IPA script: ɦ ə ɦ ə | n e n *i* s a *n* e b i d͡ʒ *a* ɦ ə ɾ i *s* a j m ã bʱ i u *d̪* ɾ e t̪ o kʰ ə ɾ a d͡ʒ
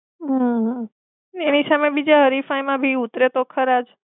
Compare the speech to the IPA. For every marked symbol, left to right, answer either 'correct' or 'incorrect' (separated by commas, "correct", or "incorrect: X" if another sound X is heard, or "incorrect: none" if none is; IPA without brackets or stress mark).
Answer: correct, incorrect: m, correct, incorrect: f, incorrect: t̪